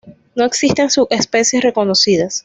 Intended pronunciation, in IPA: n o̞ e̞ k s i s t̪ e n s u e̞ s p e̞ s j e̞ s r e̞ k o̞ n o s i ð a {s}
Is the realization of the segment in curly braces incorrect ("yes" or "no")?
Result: no